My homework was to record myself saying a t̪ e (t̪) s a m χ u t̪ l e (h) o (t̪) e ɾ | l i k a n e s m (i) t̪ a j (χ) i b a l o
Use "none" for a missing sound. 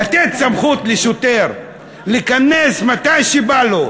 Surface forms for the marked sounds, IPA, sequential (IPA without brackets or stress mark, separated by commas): t̪, ʃ, t̪, a, ʃ